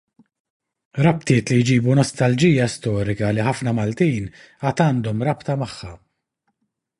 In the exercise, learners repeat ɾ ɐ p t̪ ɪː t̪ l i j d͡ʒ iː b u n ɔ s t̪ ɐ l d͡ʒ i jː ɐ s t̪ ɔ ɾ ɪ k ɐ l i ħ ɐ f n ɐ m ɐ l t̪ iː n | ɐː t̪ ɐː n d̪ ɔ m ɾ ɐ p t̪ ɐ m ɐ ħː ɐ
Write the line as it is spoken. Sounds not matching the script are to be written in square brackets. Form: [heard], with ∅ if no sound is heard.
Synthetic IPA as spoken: ɾ ɐ p t̪ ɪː t̪ l i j d͡ʒ iː b u n ɔ s t̪ ɐ l d͡ʒ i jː ɐ s t̪ [ɔː] ɾ ɪ k ɐ l i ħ ɐ f n ɐ m ɐ l t̪ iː n | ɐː t̪ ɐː n d̪ ɔ m ɾ ɐ p t̪ ɐ m ɐ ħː ɐ